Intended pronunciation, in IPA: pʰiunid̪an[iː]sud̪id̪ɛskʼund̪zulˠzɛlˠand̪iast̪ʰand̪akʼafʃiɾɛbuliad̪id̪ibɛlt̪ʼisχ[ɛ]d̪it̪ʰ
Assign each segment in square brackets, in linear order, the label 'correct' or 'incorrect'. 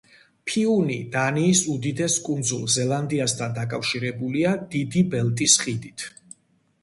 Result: correct, incorrect

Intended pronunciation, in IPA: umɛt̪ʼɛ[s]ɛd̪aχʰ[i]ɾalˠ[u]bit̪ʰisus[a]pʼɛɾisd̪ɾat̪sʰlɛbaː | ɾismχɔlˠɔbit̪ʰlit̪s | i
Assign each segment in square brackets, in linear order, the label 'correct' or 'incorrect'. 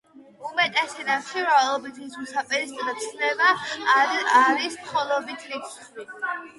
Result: correct, correct, incorrect, correct

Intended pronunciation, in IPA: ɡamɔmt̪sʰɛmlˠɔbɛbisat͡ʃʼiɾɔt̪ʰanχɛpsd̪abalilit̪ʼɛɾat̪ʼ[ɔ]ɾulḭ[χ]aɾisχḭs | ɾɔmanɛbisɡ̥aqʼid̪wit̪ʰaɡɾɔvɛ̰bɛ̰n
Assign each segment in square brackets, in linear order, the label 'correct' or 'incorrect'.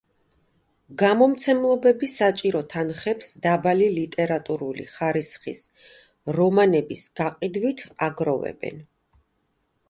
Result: incorrect, correct

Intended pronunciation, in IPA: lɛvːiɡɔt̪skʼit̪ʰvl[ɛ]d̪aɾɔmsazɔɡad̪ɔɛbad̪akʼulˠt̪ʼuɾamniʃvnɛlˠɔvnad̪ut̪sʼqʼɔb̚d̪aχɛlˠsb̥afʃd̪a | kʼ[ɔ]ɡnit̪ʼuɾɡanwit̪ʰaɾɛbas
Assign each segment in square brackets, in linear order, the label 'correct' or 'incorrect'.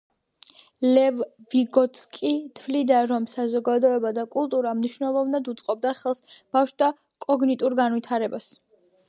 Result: incorrect, correct

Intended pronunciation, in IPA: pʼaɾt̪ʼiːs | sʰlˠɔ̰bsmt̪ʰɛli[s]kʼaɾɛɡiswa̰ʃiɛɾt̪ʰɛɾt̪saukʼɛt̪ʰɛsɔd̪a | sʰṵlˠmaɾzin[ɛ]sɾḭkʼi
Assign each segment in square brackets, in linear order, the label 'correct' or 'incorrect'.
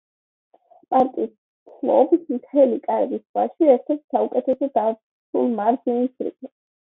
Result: incorrect, incorrect

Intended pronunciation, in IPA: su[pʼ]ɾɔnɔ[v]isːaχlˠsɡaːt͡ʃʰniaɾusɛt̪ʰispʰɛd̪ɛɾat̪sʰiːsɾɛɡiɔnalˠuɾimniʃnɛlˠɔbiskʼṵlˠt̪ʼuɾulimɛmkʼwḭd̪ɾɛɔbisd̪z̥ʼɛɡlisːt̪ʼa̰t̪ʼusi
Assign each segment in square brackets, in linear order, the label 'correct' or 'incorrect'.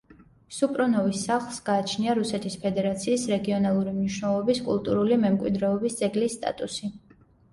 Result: correct, correct

